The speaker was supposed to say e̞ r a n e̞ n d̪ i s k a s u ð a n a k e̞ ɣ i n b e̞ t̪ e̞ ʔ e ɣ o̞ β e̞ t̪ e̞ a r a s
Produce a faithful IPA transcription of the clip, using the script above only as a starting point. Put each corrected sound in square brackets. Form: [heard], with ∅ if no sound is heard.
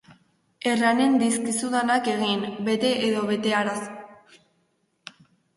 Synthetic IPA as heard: e̞ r a n e̞ n d̪ i s k [i] s u ð a n a k e̞ ɣ i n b e̞ t̪ e̞ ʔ e [ð] o̞ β e̞ t̪ e̞ a [ɾ] a s

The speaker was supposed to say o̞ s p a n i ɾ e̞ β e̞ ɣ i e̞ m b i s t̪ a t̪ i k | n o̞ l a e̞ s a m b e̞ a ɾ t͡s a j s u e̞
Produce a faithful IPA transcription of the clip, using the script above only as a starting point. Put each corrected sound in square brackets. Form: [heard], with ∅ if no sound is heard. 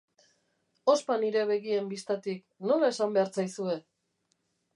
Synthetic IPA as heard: o̞ s p a n i ɾ e̞ β e̞ ɣ i e̞ m b i s t̪ a t̪ i k | n o̞ l a e̞ s a m b e̞ a ɾ t͡s a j s u e̞

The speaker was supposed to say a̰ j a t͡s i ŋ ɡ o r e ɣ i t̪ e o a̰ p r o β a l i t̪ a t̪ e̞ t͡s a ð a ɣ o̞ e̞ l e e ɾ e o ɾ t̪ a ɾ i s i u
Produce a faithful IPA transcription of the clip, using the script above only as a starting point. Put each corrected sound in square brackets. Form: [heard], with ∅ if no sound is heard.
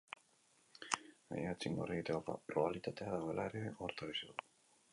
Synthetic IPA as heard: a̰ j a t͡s i ŋ ɡ o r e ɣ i t̪ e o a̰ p r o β a l i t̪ a t̪ e̞ [∅] a ð a ɣ o̞ e̞ l [a] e ɾ e o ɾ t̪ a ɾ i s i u

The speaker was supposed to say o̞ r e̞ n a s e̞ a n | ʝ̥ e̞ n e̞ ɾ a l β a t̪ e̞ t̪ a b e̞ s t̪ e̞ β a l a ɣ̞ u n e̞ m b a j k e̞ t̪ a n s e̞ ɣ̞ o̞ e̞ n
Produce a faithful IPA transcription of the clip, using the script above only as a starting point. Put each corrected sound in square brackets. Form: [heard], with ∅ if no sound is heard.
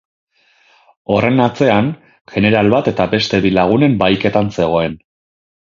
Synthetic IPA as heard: o̞ r e̞ n a [t͡s] e̞ a n | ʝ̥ e̞ n e̞ ɾ a l β a t̪ e̞ t̪ a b e̞ s t̪ e̞ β [i] l a ɣ̞ u n e̞ m b a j k e̞ t̪ a n s e̞ ɣ̞ o̞ e̞ n

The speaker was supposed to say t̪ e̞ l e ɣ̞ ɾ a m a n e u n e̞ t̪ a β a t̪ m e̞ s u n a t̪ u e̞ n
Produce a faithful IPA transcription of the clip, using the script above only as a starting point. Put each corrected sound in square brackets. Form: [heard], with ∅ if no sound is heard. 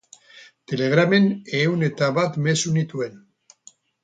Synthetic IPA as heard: t̪ e̞ l e ɣ̞ ɾ a m [e] n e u n e̞ t̪ a β a t̪ m e̞ s u n [i] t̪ u e̞ n

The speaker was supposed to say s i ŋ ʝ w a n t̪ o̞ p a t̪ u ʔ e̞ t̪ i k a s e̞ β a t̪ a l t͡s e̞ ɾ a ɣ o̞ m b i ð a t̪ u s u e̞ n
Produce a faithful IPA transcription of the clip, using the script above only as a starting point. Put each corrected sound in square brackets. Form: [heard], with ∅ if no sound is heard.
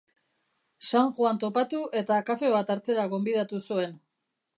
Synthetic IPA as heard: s [a] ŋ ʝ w a n t̪ o̞ p a t̪ u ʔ e̞ t̪ [a] k a [f] e̞ β a t̪ a [ɾ] t͡s e̞ ɾ a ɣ o̞ m b i ð a t̪ u s u e̞ n

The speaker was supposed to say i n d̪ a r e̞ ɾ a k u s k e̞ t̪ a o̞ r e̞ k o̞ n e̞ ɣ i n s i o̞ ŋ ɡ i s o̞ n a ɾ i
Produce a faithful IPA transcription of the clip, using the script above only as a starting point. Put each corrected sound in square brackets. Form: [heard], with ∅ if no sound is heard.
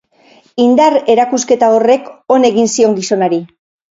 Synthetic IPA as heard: i n d̪ a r e̞ ɾ a k u s k e̞ t̪ a o̞ r e̞ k o̞ n e̞ ɣ i n s i o̞ ŋ ɡ i s o̞ n a ɾ i

